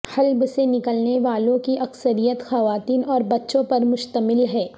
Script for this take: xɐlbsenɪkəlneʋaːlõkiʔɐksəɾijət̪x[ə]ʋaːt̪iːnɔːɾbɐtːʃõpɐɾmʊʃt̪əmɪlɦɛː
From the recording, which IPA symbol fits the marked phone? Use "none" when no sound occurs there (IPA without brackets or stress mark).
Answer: ɐ